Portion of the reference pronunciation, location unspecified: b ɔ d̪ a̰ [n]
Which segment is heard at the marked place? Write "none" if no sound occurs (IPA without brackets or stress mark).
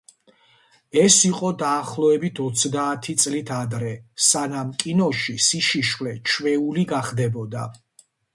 none